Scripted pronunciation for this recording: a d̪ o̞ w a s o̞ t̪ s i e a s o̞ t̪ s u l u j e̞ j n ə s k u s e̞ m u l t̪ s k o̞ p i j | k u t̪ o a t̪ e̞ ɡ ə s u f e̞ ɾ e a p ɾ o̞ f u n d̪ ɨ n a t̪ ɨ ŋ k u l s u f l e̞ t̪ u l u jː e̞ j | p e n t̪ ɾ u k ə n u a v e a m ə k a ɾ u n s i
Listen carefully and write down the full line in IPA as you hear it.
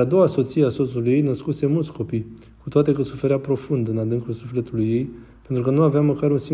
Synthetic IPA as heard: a d̪ o̞ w a s o̞ t̪ s i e a s o̞ t̪ s u l u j e̞ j n ə s k u s e̞ m u l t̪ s k o̞ p i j | k u t̪ o a t̪ e̞ k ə s u f e̞ ɾ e a p ɾ o̞ f u n d̪ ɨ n a d̪ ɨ ŋ k u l s u f l e̞ t̪ u l u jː e̞ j | p e n t̪ ɾ u k ə n u a v e a m ə k a ɾ u n s i